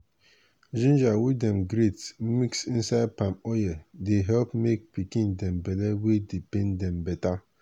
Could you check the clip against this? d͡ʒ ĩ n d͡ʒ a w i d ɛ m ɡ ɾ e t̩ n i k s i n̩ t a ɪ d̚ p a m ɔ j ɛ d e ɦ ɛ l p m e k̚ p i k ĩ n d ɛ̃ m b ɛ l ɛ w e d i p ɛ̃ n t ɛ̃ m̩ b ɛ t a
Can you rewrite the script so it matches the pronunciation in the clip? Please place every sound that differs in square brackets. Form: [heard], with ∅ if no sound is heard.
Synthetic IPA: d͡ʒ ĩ n d͡ʒ a w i d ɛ m ɡ ɾ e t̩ [m] i k s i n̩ [s] a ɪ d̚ p a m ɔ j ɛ d e ɦ ɛ l p m e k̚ p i k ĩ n d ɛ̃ m b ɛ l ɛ w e d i p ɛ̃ n [d] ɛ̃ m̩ b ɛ t a

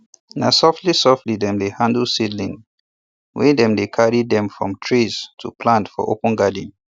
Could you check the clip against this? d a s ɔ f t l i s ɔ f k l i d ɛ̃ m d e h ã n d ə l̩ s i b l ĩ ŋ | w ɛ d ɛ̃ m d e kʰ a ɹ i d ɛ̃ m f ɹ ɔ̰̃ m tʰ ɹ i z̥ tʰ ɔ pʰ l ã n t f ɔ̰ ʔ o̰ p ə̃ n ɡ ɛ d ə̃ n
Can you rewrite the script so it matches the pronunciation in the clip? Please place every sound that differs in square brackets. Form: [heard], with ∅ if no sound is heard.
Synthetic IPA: [n] a s ɔ f t l i s ɔ f [t] l i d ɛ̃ m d e h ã n d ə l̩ s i [d] l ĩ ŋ | w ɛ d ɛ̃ m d e kʰ a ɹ i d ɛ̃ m f ɹ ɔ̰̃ m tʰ ɹ i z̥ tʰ [u] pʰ l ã n t f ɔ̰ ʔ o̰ p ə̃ n ɡ [a] d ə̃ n

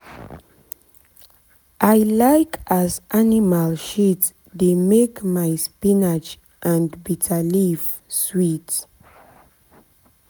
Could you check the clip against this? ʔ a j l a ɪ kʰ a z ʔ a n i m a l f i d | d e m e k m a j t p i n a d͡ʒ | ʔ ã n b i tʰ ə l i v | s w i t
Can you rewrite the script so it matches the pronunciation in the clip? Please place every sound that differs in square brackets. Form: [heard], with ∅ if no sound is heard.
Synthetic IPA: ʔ a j l a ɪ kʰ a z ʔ a n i m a l [ʃ] i [t] | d e m e k m a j [s] p i n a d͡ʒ | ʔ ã n b i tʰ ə l i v | s w i t

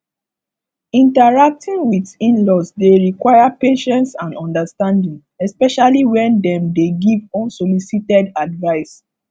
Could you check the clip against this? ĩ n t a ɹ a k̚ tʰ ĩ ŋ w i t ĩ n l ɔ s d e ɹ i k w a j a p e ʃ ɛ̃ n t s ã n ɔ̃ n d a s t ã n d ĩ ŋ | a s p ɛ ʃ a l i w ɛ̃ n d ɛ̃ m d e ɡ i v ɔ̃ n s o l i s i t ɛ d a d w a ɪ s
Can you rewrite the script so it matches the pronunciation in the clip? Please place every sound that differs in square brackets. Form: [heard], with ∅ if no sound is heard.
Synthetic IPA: ĩ n t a ɹ a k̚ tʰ ĩ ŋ w i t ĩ n l ɔ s d e ɹ i k w a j a p e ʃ ɛ̃ n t s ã n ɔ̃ n d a s t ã n d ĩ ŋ | [ɛ] s p ɛ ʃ a l i w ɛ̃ n d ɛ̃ m d e ɡ i v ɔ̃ n s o l i s i t ɛ d a d [v] a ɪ s

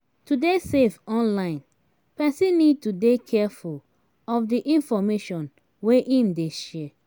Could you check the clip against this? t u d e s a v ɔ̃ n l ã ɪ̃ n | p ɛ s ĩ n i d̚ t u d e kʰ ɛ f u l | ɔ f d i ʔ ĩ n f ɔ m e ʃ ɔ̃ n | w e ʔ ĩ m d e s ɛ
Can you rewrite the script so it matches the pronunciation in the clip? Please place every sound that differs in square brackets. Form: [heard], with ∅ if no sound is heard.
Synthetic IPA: t u d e s [e] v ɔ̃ n l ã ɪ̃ n | p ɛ s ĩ n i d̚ t u d e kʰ ɛ f u l | ɔ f d i ʔ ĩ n f ɔ m e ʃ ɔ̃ n | w e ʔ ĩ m d e [ʃ] ɛ

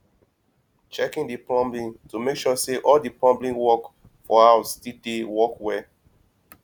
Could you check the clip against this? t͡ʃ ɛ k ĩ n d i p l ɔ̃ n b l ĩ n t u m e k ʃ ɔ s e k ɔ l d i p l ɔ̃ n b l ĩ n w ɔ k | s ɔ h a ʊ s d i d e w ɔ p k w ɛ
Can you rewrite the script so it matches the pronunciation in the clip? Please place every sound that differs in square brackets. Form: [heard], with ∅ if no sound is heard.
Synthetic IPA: t͡ʃ ɛ k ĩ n d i p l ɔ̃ [m] b l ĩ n t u m e k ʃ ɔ s e [ʔ] ɔ l d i p l ɔ̃ [m] b l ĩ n w ɔ k | [f] ɔ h a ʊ s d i d e w ɔ [∅] k w ɛ

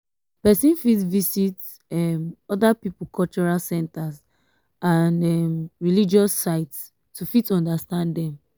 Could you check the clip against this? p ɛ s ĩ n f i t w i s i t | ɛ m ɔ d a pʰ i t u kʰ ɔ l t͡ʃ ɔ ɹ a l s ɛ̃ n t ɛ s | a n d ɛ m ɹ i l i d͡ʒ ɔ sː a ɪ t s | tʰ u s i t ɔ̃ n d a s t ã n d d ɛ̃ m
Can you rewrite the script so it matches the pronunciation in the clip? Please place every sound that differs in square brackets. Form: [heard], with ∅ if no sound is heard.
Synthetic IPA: p ɛ s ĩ n f i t [v] i s i t | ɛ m ɔ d a [p] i [p] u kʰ ɔ l t͡ʃ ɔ ɹ a l s ɛ̃ n t [a] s | a n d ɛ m ɹ i l i d͡ʒ ɔ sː a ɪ t s | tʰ u [f] i t ɔ̃ n d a s t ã n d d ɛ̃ m

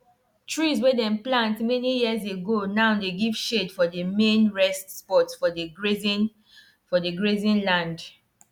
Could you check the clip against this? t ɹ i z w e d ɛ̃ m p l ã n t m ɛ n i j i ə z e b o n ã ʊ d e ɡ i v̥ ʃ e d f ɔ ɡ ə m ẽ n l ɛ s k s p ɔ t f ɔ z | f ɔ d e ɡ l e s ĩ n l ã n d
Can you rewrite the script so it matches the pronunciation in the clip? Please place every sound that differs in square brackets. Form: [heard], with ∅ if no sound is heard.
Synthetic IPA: t ɹ i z w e d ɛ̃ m p l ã n t m ɛ n i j i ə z e [ɡ] o n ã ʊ d e ɡ i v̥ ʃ e d f ɔ [d] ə m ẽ n [ɹ] ɛ s [t] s p ɔ t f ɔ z | f ɔ d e ɡ [ɹ] e [z] ĩ n l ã n d

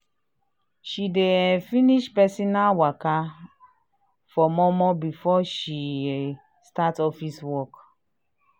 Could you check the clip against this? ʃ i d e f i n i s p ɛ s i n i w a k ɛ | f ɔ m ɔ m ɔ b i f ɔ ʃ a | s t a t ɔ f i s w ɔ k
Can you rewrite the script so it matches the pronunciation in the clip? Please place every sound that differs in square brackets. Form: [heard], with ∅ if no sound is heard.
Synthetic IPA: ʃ i d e f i n i [ʃ] p ɛ s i n [a] w a k [a] | f ɔ m ɔ m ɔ b i f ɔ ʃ [i] | s t a t ɔ f i s w ɔ k

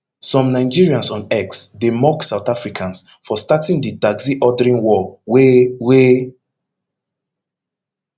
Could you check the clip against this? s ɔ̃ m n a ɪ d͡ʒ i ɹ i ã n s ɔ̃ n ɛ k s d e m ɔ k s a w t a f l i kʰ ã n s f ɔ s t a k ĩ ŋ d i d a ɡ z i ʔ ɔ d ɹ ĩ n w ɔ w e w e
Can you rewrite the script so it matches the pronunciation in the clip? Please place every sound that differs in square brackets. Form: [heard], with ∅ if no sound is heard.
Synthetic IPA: s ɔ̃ m n a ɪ d͡ʒ i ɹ i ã n s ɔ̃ n ɛ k s d e m ɔ k s a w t a f [ɹ] i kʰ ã n s f ɔ s t a [t] ĩ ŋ d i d a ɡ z i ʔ ɔ d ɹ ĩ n w ɔ w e w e

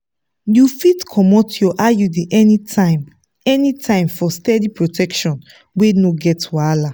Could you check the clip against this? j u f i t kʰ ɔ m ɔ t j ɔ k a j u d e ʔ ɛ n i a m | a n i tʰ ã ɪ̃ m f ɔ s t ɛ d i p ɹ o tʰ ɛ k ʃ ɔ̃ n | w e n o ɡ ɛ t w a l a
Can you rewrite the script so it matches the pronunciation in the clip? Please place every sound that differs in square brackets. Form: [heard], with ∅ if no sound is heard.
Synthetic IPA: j u f i t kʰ ɔ m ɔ t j ɔ [ʔ] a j u d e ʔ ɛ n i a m | [ɛ] n i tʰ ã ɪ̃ m f ɔ s t ɛ d i p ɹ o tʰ ɛ k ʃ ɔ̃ n | w e n o ɡ ɛ t w a l a

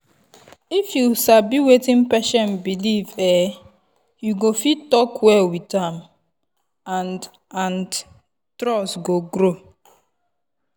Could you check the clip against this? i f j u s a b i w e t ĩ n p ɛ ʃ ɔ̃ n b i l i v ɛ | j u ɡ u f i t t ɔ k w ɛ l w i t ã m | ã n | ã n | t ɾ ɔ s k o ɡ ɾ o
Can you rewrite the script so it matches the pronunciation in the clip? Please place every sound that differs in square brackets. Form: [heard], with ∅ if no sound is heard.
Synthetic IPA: i f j u s a b i w e t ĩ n p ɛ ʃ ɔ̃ n b i l i v ɛ | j u ɡ [o] f i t t ɔ k w ɛ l w i t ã m | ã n | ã n | t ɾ ɔ s [ɡ] o ɡ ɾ o

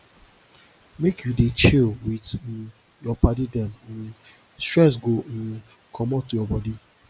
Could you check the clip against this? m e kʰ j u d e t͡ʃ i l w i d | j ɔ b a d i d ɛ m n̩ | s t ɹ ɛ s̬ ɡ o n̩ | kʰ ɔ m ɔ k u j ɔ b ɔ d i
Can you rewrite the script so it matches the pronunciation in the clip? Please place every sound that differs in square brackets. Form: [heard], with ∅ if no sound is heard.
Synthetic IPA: m e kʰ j u d e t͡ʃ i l w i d | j ɔ [p] a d i d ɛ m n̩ | s t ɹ ɛ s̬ ɡ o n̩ | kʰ ɔ m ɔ [t] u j ɔ b ɔ d i

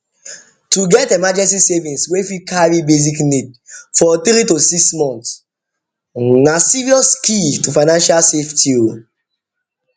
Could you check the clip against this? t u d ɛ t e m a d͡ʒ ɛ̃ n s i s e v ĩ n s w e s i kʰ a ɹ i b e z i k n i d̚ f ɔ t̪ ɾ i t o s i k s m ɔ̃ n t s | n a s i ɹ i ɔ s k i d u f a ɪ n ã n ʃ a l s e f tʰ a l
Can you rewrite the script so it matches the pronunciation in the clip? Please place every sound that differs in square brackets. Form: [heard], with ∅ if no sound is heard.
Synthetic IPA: t u [ɡ] ɛ t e m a d͡ʒ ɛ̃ n s i s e v ĩ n s w e [f] i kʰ a ɹ i b e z i k n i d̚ f ɔ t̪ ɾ i t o s i k s m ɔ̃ n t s | n a s i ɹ i ɔ s k i [t] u f a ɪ n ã n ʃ a l s e f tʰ [i] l

